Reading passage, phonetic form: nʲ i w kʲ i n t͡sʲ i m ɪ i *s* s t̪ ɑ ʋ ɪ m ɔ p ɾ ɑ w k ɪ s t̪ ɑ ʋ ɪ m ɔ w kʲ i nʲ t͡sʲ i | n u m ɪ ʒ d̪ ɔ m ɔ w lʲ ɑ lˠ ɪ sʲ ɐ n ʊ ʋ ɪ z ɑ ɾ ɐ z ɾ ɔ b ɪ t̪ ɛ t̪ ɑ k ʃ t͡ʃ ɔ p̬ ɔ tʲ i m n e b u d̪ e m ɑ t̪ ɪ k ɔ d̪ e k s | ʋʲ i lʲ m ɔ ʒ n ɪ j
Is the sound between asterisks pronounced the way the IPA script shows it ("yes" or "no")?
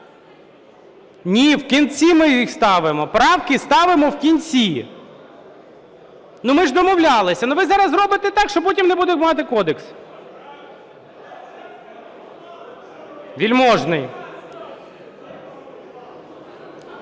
no